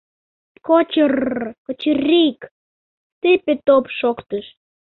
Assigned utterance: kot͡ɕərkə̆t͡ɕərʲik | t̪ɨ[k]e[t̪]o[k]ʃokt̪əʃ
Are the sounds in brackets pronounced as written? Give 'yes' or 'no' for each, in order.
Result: no, yes, no

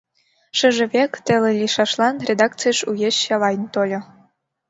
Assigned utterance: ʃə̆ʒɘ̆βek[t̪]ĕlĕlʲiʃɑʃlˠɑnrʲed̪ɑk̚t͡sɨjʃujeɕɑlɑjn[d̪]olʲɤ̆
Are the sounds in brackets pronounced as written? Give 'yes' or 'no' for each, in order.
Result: yes, no

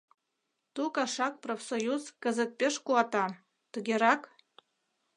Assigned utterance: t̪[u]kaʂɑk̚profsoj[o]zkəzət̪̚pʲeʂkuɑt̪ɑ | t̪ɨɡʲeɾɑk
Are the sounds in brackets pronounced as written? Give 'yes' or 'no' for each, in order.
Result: yes, no

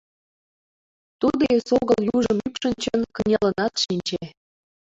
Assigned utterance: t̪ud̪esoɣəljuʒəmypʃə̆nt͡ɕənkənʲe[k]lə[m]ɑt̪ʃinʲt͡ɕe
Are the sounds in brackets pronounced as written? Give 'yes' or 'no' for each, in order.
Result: no, no

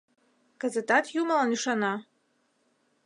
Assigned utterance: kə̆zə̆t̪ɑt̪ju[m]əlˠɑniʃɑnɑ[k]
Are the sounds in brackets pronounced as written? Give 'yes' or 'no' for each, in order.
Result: yes, no

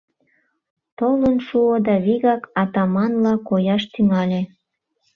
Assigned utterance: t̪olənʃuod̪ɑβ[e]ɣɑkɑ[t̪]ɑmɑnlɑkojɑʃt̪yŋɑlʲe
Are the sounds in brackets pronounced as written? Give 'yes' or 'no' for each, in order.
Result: no, yes

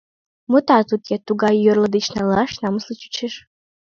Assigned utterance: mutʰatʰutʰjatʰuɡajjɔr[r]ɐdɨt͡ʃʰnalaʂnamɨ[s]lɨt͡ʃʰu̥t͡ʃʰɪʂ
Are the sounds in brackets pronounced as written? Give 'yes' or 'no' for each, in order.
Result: no, yes

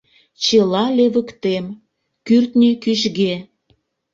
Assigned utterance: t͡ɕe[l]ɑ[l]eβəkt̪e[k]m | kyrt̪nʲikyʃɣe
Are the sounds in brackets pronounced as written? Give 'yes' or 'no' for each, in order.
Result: yes, yes, no

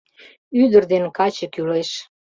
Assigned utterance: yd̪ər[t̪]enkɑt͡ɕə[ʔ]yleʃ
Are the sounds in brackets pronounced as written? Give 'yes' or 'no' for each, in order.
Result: no, no

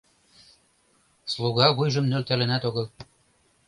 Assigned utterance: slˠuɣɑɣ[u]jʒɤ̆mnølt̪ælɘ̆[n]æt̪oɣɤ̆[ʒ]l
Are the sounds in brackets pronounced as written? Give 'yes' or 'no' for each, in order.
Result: yes, yes, no

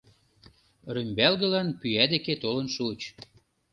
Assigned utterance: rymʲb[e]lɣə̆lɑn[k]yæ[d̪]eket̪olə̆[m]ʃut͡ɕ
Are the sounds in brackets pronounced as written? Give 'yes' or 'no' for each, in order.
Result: no, no, yes, no

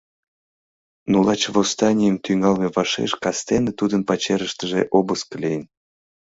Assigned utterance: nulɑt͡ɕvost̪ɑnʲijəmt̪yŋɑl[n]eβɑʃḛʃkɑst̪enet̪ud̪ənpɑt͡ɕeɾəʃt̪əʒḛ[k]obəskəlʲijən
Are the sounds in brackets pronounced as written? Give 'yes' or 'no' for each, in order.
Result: no, no

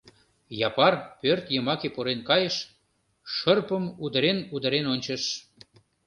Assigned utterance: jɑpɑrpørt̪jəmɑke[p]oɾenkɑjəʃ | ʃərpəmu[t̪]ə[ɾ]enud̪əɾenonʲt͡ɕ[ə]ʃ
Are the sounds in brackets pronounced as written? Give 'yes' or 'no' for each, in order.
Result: yes, no, yes, yes

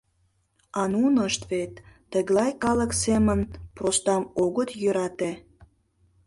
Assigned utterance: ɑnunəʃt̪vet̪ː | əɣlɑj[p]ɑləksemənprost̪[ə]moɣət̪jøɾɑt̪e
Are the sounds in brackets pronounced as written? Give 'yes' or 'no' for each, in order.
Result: no, no

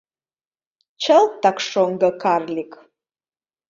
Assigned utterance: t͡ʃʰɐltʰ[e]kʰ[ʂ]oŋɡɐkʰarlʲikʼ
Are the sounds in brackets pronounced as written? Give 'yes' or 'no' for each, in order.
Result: no, yes

